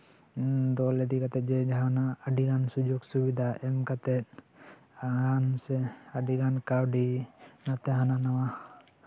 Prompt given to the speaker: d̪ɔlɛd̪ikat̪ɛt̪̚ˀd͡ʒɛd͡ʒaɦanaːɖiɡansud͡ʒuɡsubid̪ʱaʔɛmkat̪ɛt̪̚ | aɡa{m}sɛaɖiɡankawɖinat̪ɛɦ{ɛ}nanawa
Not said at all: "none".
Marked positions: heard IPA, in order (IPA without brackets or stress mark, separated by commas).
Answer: n, a